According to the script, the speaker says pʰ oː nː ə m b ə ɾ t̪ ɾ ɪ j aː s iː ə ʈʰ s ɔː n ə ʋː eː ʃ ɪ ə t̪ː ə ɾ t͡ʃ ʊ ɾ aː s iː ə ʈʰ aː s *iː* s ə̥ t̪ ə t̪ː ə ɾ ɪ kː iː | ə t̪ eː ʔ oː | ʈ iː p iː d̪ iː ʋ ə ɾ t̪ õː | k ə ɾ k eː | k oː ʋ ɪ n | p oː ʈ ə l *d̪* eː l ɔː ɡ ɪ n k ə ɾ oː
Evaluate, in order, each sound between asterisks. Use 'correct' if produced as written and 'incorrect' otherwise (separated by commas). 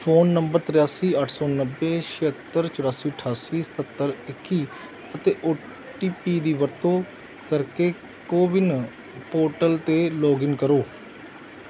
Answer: correct, incorrect